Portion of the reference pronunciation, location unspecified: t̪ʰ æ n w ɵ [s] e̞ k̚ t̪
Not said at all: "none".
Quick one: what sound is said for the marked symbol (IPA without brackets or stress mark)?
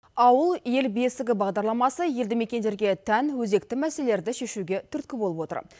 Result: z